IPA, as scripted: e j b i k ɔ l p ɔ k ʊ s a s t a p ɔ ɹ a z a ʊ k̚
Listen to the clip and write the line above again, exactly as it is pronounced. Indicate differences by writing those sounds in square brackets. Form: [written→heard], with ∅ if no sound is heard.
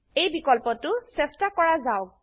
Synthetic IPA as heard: e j b i k ɔ l p ɔ [k→t] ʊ s [a→ɛ] s t a [p→k] ɔ ɹ a z a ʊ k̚